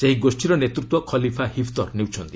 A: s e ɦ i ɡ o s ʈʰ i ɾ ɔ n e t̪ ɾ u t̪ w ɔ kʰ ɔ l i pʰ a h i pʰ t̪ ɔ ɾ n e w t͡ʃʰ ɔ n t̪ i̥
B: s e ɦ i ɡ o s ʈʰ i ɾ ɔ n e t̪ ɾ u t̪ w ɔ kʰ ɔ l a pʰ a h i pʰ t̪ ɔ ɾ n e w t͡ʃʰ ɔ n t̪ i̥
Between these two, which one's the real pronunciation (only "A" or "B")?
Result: A